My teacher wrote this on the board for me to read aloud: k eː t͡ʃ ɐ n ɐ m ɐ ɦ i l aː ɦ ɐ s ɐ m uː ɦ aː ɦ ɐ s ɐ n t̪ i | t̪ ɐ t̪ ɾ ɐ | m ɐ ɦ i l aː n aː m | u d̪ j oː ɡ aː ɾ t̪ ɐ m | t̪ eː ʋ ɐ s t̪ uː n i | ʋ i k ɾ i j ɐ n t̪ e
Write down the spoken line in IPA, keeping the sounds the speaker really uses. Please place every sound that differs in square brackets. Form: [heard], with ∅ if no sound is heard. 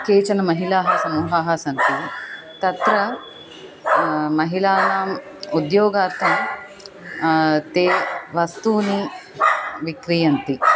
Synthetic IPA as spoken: k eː t͡ʃ ɐ n ɐ m ɐ ɦ i l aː ɦ ɐ s ɐ m uː ɦ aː ɦ ɐ s ɐ n t̪ i | t̪ ɐ t̪ ɾ ɐ | m ɐ ɦ i l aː n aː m | u d̪ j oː ɡ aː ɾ t̪ ɐ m | t̪ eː ʋ ɐ s t̪ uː n i | ʋ i k ɾ i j ɐ n t̪ [i]